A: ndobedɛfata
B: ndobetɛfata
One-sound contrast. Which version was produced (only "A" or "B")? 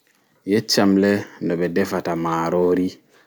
A